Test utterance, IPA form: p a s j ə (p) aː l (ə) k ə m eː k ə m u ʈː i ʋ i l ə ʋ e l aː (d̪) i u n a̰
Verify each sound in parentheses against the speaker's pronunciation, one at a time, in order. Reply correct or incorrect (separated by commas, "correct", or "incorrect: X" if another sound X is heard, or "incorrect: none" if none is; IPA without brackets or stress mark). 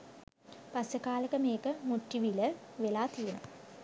incorrect: k, correct, incorrect: t̪